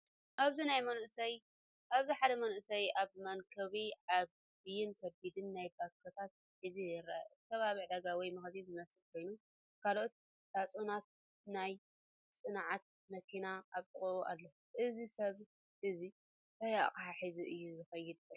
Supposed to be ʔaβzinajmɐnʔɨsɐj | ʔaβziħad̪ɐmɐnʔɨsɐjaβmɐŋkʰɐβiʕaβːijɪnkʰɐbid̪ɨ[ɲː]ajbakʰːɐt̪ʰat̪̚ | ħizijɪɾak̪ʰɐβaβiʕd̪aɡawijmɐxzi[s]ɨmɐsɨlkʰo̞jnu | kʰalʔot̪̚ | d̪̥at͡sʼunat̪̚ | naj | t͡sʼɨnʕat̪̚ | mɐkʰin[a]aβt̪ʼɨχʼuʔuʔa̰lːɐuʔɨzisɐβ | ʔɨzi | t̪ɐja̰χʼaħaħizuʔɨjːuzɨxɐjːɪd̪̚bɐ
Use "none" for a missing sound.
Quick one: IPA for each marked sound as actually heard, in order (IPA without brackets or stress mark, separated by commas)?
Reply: nː, z, a